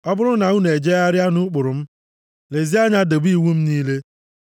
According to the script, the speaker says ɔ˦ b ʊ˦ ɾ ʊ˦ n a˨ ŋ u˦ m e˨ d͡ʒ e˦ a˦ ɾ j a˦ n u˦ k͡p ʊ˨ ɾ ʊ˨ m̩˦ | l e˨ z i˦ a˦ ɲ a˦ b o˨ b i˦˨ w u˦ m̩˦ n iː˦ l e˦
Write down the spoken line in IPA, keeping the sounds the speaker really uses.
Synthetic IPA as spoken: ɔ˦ b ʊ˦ ɾ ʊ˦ n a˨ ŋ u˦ n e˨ d͡ʒ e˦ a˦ ɾ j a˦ n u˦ k͡p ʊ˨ ɾ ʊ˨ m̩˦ | l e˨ z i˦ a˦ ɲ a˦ d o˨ b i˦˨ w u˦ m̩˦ n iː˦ l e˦